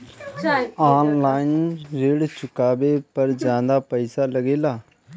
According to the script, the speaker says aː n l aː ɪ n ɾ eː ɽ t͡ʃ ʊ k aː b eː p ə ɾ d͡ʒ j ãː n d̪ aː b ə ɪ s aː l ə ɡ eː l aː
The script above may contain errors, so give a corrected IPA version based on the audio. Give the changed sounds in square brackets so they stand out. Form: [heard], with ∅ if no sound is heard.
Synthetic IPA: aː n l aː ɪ n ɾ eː ɽ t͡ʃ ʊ k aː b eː p ə ɾ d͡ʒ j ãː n d̪ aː [p] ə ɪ s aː l ə ɡ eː l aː

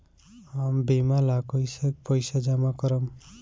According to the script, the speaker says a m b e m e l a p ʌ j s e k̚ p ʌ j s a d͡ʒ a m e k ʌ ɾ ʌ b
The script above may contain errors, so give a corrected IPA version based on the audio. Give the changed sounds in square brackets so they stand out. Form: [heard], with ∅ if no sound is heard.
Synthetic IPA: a m b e m [a] l a [k] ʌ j s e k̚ p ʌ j s a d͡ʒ a m [a] k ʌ ɾ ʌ [m]

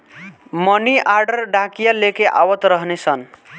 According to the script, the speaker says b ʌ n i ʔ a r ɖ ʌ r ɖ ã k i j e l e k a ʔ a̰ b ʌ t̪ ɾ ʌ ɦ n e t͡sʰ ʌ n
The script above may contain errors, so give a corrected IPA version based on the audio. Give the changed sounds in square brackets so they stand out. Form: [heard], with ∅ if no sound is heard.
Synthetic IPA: [m] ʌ n i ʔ a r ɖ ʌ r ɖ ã k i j [a] l e k [e] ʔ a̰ [w] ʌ t̪ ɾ ʌ ɦ n e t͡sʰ ʌ n

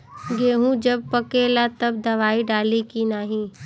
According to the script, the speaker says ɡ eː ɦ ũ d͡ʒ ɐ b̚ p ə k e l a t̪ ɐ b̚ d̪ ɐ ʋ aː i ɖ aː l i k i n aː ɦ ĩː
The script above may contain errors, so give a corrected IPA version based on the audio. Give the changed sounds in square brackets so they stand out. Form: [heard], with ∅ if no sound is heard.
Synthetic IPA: ɡ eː ɦ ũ d͡ʒ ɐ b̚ p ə k e l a t̪ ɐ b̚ d̪ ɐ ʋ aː i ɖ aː l i k i n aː ɦ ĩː

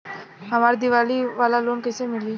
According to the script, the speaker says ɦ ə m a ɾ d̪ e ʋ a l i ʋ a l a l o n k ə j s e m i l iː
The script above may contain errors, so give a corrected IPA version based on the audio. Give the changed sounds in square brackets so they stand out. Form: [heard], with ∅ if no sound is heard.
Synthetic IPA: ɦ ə m a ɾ d̪ [i] ʋ a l i ʋ a l a l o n k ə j s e m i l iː

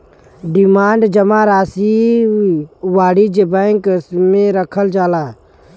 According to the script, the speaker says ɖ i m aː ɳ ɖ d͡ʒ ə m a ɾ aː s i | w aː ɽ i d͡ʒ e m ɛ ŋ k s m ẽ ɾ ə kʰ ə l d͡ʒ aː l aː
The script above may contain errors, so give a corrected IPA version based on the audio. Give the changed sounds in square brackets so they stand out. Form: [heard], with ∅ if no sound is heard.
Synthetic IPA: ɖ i m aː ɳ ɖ d͡ʒ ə m a ɾ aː s i | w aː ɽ i d͡ʒ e [b] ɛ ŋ k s m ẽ ɾ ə kʰ ə l d͡ʒ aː l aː

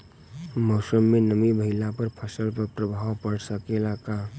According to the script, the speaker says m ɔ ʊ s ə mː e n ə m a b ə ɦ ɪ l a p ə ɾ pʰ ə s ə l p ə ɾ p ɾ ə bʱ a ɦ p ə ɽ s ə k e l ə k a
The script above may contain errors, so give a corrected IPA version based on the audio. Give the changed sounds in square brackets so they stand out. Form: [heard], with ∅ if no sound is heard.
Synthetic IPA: m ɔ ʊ s ə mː e n ə m [i] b ə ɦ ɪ l a p ə ɾ pʰ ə s ə l p ə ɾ p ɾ ə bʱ a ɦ p ə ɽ s ə k e l [a] k a

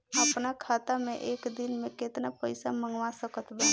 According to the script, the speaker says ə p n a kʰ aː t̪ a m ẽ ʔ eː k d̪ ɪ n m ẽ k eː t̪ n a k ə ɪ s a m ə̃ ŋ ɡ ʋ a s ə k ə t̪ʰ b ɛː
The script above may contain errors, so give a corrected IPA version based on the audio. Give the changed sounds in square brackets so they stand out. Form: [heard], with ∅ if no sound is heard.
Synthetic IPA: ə p n a kʰ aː t̪ a m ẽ ʔ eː k d̪ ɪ n m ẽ k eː t̪ n a [p] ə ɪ s a m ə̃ ŋ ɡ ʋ a s ə k ə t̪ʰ b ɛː

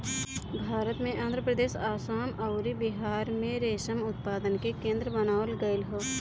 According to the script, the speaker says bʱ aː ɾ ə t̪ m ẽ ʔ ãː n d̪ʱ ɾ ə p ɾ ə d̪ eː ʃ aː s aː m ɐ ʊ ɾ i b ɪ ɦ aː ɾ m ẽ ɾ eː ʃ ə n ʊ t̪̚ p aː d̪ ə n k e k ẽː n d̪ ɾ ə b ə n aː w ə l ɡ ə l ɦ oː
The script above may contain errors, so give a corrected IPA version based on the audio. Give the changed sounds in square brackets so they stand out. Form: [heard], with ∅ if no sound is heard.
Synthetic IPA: bʱ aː ɾ ə t̪ m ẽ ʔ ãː n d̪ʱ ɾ ə p ɾ ə d̪ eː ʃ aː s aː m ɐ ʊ ɾ i b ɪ ɦ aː ɾ m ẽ ɾ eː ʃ ə [m] ʊ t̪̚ p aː d̪ ə n k e k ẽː n d̪ ɾ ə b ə n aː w ə l ɡ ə l ɦ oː

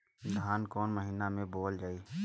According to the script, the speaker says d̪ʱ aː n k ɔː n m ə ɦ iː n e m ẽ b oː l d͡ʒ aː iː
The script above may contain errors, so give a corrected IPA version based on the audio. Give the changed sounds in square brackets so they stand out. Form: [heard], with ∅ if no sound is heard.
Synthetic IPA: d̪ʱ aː n k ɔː n m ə ɦ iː n [a] m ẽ b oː l d͡ʒ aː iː

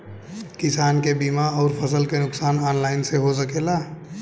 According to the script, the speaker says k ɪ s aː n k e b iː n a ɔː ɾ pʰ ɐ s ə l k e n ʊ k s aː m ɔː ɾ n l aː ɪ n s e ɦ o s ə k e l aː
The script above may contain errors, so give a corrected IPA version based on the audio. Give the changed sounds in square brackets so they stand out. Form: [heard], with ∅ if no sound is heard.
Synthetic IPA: k ɪ s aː n k e b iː [m] a ɔː ɾ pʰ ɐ s ə l k e n ʊ k s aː [n] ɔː [∅] n l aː ɪ n s e ɦ o s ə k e l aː

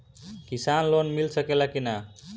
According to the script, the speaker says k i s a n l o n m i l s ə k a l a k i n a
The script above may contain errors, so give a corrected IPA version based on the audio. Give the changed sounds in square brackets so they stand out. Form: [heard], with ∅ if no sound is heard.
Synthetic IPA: k i s a n l o n m i l s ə k [e] l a k i n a

